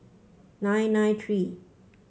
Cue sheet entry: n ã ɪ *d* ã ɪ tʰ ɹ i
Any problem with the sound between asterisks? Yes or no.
yes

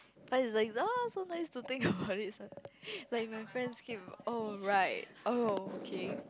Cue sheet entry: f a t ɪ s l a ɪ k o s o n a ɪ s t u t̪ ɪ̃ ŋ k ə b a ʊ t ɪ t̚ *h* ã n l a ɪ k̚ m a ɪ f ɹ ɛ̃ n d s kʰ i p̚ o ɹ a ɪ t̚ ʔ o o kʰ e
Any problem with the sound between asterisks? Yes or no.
yes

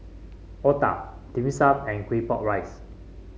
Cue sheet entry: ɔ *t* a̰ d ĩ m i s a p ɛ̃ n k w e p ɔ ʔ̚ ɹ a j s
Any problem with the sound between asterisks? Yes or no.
no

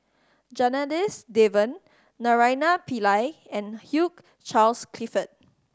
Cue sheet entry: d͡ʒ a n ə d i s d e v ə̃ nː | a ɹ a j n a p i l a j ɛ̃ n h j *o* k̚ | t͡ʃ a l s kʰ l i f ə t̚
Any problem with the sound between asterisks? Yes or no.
yes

